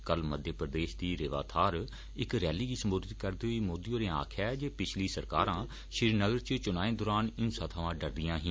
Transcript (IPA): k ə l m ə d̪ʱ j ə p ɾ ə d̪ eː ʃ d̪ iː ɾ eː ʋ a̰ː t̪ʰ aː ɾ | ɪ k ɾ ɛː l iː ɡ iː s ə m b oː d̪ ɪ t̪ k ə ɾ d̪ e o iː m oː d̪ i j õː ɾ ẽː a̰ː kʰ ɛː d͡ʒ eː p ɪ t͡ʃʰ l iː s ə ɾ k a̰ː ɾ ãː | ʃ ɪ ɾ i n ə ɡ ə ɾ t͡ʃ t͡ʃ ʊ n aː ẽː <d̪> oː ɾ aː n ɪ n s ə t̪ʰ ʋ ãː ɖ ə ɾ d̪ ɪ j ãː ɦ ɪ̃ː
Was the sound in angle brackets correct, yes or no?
yes